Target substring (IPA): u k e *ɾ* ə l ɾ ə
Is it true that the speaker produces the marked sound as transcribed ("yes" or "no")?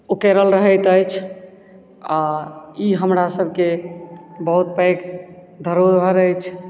yes